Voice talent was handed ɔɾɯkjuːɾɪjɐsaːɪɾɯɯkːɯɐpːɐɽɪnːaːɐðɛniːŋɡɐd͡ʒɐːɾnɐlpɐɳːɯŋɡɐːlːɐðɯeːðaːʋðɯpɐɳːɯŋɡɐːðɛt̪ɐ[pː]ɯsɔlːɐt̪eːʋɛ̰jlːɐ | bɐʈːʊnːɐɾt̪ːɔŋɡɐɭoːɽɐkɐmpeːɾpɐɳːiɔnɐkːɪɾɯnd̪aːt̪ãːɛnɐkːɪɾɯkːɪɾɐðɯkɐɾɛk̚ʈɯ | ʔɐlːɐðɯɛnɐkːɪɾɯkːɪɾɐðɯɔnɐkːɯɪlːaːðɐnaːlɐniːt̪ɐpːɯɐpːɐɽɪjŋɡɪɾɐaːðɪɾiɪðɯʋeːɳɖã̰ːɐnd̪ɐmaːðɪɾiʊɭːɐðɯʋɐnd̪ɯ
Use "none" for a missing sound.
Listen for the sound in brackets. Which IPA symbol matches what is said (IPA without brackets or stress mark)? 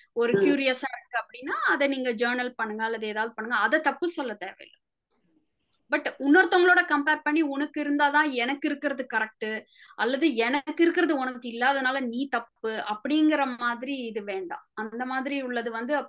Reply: pː